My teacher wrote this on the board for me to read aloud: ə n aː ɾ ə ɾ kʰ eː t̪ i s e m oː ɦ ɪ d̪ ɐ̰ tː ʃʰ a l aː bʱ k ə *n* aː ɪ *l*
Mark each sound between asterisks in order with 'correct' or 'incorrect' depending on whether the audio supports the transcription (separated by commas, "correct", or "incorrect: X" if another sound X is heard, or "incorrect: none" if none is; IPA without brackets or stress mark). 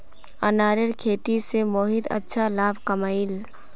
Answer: incorrect: m, correct